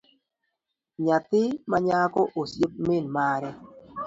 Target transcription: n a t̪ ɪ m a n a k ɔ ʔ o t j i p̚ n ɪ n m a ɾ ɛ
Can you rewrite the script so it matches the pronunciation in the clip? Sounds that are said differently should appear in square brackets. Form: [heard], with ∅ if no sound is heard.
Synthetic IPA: [ɲ] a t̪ ɪ m a [ɲ] a k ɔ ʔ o [s] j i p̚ [m] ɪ n m a ɾ ɛ

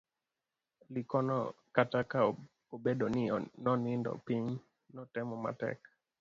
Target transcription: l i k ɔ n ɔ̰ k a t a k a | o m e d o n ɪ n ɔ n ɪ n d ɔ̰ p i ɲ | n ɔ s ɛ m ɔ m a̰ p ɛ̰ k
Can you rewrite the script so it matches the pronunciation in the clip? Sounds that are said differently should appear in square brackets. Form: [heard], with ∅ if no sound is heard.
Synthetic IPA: l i k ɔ n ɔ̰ k a t a k a | o [b] e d o n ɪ n ɔ n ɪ n d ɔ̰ p i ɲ | n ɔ [t] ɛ m ɔ m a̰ [t] ɛ̰ k

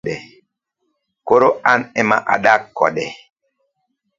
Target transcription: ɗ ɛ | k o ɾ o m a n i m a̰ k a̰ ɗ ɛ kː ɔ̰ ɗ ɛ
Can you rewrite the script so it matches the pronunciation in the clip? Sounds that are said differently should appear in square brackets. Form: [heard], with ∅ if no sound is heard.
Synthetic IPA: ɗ ɛ | k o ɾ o [∅] a n [ɛ] m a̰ [ʔ] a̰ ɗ [a] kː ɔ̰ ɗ ɛ

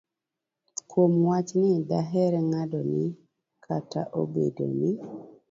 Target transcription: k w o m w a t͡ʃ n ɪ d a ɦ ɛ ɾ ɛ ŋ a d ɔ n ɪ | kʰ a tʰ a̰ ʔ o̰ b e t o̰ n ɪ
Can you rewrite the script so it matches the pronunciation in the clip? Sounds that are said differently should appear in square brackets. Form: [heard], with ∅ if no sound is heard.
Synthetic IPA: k w o m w a t͡ʃ n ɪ d a ɦ ɛ ɾ ɛ ŋ a d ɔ n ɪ | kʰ a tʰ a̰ ʔ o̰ b e [d] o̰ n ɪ

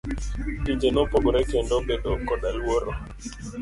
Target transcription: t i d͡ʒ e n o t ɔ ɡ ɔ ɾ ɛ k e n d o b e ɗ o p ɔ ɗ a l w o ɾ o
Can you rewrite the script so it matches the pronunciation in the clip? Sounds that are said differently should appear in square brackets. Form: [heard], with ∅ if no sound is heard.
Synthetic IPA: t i d͡ʒ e n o [p] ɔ ɡ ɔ ɾ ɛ k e n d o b e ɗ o [k] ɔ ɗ a l w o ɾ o

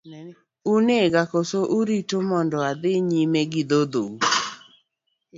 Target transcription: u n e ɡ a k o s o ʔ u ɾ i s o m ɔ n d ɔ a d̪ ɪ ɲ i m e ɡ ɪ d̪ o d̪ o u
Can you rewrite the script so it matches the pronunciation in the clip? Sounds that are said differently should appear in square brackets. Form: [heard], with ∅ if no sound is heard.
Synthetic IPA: u n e ɡ a k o s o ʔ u ɾ i [t] o m ɔ n d ɔ a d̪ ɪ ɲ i m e ɡ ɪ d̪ o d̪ o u

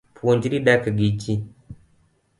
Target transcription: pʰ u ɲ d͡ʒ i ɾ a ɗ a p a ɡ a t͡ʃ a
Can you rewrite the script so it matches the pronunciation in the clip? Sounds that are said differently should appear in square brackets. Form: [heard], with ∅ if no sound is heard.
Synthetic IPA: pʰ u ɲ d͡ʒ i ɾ [i] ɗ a [k] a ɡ [i] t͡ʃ [i]

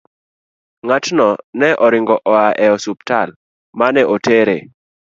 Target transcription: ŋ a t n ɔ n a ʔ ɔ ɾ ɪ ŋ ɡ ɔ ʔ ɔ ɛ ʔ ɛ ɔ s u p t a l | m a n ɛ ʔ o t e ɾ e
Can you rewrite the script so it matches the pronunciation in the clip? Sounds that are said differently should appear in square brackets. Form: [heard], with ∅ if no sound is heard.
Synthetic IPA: ŋ a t n ɔ n [ɛ] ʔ ɔ ɾ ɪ ŋ ɡ ɔ ʔ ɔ [a] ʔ ɛ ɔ s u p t a l | m a n ɛ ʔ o t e ɾ e

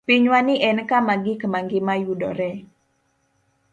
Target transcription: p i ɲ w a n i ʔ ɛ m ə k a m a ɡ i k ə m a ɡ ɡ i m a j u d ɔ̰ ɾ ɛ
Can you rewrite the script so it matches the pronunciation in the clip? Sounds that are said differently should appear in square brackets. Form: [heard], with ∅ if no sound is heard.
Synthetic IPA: p i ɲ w a n i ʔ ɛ [n] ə k a m a ɡ i k ə m a [ŋ] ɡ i m a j u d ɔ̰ ɾ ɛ

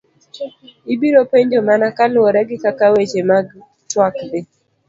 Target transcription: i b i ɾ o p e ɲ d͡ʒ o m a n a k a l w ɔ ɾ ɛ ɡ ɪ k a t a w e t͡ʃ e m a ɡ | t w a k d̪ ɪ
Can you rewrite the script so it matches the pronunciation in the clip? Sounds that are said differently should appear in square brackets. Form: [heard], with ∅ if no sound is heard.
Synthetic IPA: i b i ɾ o p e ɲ d͡ʒ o m a n a k a l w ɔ ɾ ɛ ɡ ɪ k a [k] a w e t͡ʃ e m a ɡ | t w a k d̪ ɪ

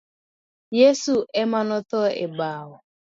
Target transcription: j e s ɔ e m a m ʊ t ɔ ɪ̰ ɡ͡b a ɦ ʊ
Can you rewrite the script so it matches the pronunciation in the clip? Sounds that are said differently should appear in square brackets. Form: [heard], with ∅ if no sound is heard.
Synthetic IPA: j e s [u] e m a [n] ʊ t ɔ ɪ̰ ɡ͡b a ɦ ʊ

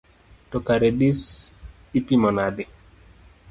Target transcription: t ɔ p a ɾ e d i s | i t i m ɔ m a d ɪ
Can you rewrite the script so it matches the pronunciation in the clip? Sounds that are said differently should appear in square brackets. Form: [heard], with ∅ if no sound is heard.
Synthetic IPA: t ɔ [k] a ɾ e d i s | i [p] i m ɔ [n] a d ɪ

